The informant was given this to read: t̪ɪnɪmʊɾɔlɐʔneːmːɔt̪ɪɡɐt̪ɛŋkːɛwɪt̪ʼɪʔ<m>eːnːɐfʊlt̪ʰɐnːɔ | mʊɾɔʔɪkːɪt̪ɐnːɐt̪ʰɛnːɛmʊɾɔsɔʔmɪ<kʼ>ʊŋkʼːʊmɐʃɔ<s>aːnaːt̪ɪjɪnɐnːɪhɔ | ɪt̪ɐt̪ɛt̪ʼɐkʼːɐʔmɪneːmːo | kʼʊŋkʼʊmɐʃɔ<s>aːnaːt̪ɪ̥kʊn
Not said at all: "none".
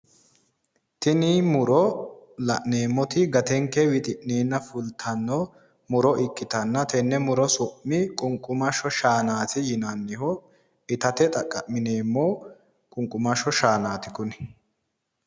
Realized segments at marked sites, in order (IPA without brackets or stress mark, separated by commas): n, kʼ, ʃ, ʃ